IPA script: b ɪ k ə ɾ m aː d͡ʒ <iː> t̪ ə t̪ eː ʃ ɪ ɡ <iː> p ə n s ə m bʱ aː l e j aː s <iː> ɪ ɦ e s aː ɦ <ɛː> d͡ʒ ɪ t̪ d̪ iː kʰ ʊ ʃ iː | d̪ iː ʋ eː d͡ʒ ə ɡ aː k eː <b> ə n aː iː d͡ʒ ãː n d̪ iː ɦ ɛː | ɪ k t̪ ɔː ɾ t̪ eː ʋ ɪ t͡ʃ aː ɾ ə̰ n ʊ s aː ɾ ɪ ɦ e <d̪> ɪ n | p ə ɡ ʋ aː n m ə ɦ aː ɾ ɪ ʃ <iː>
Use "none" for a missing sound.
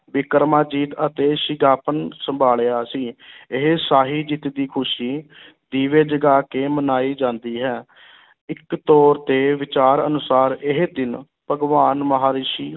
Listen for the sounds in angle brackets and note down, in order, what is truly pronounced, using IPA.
iː, aː, iː, iː, m, d̪, iː

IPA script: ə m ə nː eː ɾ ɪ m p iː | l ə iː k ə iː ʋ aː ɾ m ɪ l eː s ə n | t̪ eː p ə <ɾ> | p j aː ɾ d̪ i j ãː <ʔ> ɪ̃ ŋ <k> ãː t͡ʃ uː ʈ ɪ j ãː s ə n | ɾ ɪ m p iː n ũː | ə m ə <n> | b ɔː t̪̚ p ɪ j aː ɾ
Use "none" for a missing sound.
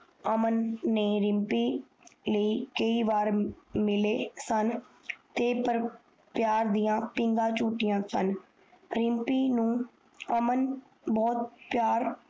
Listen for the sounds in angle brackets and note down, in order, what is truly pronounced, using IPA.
ɾ, p, ɡ, n

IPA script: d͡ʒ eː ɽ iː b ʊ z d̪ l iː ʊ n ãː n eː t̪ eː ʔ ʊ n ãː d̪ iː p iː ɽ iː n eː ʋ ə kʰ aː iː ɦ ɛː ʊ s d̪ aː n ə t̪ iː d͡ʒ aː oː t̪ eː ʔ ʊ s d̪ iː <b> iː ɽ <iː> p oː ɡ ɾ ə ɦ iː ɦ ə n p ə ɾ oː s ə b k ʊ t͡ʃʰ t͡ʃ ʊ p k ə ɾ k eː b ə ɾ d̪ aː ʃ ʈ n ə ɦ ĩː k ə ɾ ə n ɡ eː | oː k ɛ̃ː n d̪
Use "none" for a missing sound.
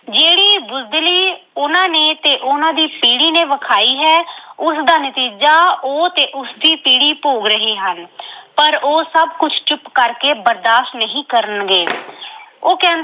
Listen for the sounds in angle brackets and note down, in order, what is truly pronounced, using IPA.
p, iː

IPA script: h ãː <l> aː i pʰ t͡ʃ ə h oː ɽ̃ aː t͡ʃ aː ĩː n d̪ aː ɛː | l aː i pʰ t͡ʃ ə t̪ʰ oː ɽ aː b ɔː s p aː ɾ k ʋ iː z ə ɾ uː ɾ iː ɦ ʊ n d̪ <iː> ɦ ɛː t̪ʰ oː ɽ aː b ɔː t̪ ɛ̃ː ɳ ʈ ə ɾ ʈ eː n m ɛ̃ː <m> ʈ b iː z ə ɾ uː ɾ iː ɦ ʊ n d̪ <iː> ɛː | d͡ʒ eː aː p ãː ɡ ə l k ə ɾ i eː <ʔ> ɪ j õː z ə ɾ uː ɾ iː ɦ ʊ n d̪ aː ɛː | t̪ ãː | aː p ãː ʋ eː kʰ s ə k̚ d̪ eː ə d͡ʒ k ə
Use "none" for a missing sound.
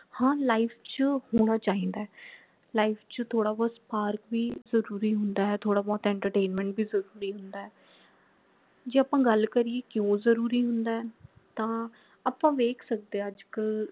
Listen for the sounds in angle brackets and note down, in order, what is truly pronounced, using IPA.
l, aː, ɳ, aː, k

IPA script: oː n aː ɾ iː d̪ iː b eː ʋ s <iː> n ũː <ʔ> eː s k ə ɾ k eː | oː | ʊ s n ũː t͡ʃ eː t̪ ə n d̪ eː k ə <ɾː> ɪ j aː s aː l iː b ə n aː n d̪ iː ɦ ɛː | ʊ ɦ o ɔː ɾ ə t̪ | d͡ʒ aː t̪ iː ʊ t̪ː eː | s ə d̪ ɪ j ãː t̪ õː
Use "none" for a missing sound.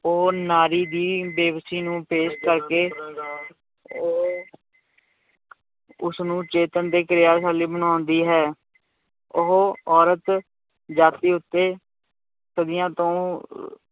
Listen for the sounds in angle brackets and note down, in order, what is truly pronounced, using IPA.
iː, p, ɾ

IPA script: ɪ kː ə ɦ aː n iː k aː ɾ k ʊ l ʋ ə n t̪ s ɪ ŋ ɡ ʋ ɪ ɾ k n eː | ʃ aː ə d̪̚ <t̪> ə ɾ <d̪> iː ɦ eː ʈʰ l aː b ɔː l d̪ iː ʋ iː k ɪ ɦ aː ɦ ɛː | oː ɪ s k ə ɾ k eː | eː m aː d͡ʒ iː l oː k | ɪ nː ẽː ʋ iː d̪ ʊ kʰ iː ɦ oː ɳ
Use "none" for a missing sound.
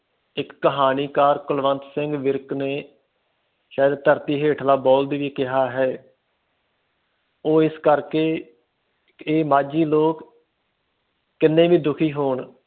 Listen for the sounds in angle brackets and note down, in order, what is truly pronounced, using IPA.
t̪, t̪

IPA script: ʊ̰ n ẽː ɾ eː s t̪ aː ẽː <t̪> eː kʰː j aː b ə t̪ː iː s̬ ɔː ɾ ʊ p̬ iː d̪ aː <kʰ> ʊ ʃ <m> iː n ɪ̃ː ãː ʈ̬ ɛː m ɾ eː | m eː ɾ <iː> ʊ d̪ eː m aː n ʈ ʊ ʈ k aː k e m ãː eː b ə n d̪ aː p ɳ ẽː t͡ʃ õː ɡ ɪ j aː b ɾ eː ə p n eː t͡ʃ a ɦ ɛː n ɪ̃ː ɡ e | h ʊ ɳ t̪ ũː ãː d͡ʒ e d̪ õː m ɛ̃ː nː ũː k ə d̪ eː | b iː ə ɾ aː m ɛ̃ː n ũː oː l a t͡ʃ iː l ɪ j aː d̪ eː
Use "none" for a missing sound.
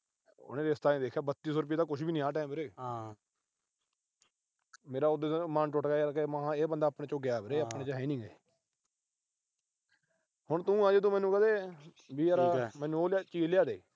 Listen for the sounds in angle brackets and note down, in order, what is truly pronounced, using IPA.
d̪, k, b, aː

